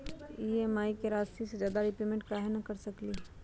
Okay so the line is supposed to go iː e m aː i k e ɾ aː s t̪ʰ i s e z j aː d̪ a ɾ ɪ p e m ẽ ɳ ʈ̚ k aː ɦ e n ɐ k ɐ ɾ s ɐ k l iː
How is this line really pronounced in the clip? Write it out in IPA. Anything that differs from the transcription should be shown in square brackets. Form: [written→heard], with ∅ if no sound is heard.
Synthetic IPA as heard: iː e m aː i k e ɾ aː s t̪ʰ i s e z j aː d̪ a ɾ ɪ p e m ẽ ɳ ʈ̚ k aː ɦ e n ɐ k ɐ ɾ s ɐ k l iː